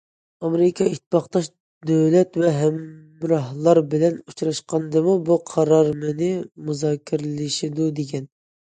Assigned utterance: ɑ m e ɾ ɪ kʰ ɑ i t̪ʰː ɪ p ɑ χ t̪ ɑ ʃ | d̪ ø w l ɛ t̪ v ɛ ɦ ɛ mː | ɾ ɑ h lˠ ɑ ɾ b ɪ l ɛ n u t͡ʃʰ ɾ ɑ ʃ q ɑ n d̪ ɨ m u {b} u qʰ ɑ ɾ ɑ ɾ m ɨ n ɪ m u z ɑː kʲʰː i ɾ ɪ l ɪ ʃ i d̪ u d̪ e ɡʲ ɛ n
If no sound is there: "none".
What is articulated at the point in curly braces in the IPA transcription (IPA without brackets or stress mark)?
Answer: b